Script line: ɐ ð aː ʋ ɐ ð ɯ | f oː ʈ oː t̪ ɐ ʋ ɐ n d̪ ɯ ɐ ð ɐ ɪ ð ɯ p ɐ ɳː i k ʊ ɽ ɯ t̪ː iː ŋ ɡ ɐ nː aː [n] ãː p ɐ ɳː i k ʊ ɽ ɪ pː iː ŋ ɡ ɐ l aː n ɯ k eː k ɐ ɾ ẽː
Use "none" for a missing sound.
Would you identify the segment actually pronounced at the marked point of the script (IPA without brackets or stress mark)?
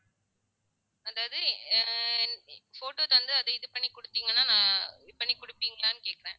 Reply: n